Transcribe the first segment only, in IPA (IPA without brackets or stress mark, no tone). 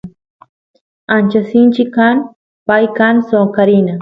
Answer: a